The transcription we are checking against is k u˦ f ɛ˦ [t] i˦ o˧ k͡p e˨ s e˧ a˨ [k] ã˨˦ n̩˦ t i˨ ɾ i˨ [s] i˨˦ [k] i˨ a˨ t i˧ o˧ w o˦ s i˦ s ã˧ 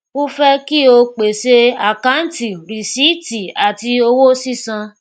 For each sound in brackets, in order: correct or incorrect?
incorrect: k, correct, correct, incorrect: t

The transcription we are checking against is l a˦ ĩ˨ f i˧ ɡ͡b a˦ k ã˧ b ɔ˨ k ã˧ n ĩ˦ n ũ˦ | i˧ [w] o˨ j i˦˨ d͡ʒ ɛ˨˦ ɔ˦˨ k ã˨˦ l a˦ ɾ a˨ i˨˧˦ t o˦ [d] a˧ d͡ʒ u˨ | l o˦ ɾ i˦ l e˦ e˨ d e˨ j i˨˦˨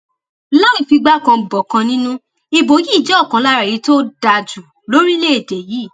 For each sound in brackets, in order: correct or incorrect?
incorrect: b, correct

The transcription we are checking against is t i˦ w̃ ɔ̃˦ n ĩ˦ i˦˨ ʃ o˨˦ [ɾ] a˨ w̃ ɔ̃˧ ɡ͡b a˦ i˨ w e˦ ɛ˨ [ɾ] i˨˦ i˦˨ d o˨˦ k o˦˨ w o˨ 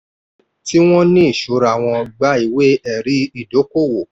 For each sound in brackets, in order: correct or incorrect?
correct, correct

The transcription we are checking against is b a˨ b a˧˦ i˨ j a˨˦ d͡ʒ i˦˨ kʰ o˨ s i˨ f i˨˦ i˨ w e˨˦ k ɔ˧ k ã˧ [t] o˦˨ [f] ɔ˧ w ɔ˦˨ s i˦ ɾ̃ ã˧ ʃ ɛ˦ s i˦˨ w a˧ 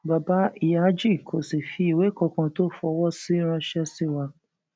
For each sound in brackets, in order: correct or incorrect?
correct, correct

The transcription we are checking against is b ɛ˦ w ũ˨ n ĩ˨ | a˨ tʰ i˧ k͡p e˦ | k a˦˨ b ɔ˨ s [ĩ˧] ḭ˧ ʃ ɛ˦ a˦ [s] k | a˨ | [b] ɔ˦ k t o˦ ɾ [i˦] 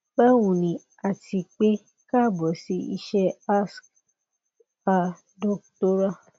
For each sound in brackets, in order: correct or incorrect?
incorrect: i˧, correct, incorrect: d, incorrect: a˦

